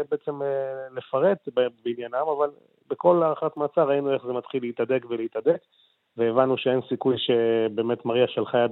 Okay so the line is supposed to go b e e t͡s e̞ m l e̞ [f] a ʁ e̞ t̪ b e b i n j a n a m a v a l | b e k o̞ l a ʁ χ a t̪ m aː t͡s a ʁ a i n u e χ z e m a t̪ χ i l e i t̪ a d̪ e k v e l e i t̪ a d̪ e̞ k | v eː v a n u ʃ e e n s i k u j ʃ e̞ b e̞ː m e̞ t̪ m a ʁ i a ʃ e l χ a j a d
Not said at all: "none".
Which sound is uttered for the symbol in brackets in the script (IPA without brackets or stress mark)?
f